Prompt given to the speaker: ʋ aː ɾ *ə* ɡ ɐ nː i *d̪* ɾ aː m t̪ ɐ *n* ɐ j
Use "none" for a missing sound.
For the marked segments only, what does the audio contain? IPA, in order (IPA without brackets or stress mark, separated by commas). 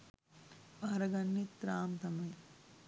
ɐ, t̪, m